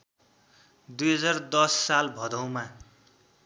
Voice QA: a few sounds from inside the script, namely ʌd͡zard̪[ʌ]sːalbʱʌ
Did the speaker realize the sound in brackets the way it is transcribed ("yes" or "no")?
yes